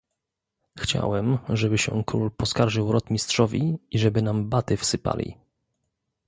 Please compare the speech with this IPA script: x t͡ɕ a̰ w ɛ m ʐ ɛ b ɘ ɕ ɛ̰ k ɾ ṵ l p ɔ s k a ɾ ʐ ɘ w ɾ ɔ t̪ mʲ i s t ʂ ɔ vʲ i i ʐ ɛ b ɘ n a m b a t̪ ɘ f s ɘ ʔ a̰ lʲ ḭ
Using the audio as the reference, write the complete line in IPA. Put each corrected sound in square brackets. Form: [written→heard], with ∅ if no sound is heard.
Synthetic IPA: x t͡ɕ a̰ w ɛ m ʐ ɛ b ɘ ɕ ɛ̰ k ɾ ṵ l p ɔ s k a ɾ ʐ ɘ w ɾ ɔ t̪ mʲ i s t ʂ ɔ vʲ i i ʐ ɛ b ɘ n a m b a t̪ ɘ f s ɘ [ʔ→p] a̰ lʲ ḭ